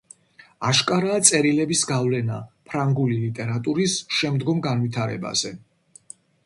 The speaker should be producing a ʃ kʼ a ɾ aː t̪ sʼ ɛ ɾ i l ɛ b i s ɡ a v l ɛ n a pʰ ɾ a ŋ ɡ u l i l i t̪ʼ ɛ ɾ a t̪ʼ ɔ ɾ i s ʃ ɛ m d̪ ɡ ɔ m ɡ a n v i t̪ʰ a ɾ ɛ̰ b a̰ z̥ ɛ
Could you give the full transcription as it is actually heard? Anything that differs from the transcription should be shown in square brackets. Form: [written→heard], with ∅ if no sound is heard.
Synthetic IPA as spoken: a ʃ kʼ a ɾ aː t̪ sʼ ɛ ɾ i l ɛ b i s ɡ a v l ɛ n a pʰ ɾ a ŋ ɡ u l i l i t̪ʼ ɛ ɾ a t̪ʼ [ɔ→u] ɾ i s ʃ ɛ m d̪ ɡ ɔ m ɡ a n v i t̪ʰ a ɾ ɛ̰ b a̰ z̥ ɛ